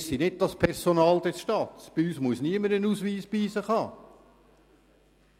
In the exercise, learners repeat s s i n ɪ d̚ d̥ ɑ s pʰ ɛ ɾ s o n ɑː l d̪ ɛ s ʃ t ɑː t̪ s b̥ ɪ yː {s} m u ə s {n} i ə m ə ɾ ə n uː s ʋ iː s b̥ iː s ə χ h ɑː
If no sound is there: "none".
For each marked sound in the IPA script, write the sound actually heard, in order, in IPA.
s, n

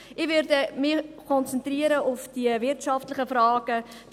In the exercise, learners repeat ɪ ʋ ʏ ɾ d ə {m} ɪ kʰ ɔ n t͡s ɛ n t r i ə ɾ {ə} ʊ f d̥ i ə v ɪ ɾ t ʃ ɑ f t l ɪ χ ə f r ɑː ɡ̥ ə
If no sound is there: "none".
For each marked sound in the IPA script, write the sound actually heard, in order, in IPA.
m, ə

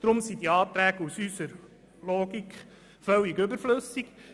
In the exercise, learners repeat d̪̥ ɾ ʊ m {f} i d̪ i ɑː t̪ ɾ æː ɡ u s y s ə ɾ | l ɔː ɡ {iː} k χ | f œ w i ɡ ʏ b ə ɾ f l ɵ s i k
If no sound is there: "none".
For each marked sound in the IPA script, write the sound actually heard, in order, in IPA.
s, i

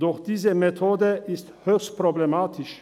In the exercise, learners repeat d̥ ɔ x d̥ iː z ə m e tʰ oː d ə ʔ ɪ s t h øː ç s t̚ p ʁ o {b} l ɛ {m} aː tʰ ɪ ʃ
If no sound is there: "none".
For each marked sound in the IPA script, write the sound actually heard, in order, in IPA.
b, m

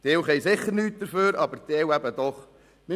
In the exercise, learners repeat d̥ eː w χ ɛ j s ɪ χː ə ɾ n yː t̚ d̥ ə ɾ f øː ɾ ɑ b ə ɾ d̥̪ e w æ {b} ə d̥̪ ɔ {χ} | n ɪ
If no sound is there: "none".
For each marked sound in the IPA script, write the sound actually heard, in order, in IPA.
b, χ

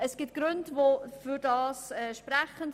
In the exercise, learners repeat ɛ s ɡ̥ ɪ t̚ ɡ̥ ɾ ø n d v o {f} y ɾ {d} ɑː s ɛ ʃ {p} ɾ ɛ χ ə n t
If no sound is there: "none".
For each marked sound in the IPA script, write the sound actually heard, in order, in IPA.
f, d, p

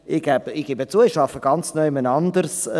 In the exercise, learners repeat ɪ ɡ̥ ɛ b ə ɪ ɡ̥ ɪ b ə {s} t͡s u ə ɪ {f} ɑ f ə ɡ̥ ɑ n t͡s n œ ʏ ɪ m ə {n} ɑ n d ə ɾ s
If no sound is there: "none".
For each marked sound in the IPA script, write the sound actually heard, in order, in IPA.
none, ʃ, n

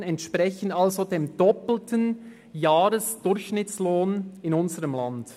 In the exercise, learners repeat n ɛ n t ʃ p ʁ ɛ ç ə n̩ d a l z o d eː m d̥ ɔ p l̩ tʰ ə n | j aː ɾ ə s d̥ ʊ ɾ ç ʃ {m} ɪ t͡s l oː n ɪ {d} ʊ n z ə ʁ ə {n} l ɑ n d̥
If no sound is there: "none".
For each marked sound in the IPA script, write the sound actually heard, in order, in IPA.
n, n, m

